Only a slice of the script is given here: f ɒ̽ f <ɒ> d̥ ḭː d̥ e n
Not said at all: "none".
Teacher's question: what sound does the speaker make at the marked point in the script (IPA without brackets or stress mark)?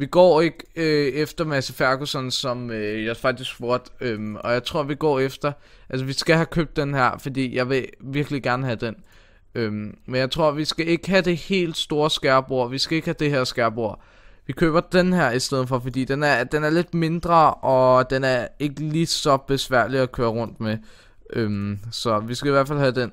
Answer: ɒ